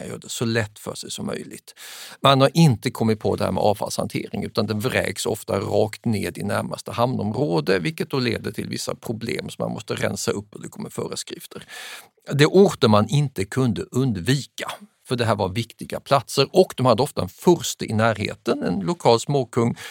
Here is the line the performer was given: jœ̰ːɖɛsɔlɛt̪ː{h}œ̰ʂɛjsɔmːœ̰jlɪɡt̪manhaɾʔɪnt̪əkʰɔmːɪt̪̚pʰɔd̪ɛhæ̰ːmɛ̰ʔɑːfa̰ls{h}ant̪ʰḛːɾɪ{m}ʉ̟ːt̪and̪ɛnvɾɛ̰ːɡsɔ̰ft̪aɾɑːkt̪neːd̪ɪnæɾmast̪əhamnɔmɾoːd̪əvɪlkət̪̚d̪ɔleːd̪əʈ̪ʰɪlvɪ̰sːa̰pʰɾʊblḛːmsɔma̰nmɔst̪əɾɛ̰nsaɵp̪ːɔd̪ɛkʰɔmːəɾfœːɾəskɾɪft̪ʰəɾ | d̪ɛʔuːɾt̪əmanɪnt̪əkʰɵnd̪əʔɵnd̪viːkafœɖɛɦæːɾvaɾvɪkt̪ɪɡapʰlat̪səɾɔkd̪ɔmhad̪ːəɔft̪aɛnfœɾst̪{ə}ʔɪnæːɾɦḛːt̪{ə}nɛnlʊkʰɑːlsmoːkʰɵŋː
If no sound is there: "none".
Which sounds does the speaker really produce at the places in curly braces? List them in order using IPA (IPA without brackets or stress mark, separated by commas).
f, h, ŋ, ə, ə